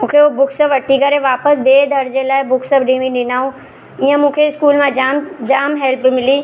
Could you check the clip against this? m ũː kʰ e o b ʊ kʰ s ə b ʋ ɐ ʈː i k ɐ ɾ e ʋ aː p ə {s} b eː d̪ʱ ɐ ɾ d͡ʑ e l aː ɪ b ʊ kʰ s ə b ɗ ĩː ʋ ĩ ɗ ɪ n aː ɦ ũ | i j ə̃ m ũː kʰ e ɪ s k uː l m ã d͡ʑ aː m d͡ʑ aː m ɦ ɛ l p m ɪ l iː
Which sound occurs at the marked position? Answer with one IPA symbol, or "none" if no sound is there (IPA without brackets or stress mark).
s